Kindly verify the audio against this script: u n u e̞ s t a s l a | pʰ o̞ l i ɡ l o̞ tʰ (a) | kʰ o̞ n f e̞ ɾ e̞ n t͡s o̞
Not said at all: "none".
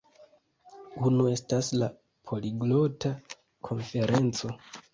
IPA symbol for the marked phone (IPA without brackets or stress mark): a